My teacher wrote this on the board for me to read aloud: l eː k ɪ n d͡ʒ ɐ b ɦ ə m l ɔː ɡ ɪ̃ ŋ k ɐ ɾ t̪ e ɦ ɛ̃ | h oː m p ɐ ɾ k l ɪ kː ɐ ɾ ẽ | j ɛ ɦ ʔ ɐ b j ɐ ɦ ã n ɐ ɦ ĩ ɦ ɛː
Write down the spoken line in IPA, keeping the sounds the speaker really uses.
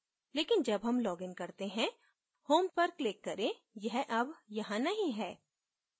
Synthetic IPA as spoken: l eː k ɪ n d͡ʒ ɐ b ɦ ɐ m l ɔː ɡ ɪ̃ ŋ k ɐ ɾ t̪ e ɦ ɛ̃ | h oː m p ɐ ɾ k l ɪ kː ɐ ɾ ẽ | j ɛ ɦ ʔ ɐ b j ɐ ɦ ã n ɐ ɦ ĩ ɦ ɛː